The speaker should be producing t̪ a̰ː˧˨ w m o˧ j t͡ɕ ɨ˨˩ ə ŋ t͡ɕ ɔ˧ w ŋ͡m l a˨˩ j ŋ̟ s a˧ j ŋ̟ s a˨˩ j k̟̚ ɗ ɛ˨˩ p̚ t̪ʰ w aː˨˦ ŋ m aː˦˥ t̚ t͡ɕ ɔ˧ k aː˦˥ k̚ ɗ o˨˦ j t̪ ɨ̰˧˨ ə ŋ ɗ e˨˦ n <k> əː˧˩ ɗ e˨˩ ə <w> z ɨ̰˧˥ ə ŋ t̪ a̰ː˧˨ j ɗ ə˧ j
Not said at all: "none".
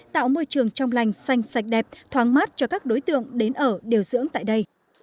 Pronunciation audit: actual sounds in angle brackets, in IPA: ʔ, w

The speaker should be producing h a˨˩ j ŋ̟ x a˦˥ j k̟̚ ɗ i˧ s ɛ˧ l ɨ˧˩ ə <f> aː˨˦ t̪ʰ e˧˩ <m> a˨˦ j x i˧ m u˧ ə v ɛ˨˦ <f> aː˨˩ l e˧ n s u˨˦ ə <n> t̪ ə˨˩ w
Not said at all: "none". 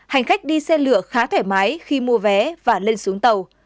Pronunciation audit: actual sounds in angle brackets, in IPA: x, m, v, ŋ

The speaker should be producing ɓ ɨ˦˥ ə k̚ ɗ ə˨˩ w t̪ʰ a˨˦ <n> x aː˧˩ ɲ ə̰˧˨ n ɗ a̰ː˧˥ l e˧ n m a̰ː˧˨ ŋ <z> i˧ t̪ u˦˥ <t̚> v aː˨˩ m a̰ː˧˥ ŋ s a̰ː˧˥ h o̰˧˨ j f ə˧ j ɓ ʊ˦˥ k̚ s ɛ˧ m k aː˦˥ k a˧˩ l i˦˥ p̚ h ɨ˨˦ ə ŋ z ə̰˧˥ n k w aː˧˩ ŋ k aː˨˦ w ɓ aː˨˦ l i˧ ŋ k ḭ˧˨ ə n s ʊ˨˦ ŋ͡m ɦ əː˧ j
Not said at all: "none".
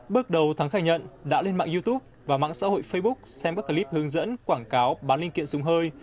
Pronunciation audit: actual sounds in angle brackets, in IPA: ŋ, z, p̚

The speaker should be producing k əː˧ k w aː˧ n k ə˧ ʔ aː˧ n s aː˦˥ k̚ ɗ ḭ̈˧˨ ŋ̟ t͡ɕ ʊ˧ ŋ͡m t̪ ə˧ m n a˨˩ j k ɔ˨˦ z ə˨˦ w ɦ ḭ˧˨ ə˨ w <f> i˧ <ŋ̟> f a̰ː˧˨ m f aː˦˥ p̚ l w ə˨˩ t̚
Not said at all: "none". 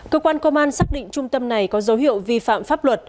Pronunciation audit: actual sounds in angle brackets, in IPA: v, none

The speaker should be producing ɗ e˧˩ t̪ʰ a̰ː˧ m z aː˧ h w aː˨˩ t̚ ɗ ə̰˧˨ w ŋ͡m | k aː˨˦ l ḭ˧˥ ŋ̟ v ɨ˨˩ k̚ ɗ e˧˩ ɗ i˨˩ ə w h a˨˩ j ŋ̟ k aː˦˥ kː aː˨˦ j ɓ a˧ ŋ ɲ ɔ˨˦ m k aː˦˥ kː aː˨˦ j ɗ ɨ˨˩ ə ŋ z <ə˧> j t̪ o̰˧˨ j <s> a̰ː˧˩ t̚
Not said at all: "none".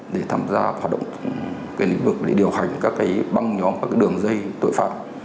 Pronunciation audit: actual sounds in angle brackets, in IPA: ə˧, f

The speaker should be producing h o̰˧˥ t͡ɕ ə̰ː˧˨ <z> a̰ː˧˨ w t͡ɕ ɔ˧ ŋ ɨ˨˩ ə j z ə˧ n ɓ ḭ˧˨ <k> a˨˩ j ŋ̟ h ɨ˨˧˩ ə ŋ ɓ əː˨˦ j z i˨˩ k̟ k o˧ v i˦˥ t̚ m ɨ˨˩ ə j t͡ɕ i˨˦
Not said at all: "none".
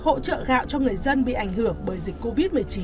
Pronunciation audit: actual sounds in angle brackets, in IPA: ɣ, ʔ

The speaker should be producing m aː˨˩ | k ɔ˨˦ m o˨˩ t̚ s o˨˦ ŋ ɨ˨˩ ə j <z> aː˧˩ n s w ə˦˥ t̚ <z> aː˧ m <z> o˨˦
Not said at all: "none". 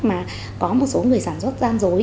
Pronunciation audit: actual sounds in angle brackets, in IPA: s, z, z

